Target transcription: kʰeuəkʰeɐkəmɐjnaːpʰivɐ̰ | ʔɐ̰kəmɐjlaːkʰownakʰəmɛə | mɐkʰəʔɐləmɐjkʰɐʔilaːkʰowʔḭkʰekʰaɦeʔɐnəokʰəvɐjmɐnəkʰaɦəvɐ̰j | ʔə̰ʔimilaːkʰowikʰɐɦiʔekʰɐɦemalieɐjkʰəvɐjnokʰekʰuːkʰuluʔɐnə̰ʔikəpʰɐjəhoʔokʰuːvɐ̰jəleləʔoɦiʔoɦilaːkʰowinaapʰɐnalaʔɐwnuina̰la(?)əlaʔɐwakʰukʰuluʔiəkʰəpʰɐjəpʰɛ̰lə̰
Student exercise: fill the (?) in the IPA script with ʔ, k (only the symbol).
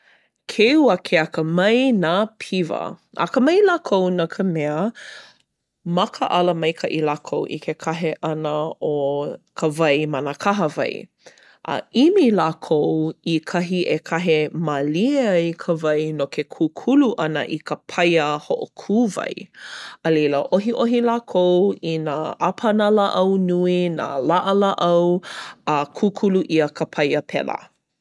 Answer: ʔ